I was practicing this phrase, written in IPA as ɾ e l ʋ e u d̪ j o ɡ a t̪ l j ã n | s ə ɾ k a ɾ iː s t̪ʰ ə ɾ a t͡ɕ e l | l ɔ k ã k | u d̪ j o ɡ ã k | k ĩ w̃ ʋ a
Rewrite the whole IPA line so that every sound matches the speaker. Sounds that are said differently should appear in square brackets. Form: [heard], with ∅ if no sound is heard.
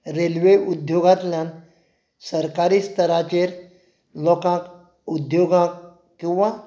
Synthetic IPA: ɾ e l ʋ e u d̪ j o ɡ a t̪ l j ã n | s ə ɾ k a ɾ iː s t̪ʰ ə ɾ a t͡ɕ e [ɾ] | l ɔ k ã k | u d̪ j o ɡ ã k | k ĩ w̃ ʋ a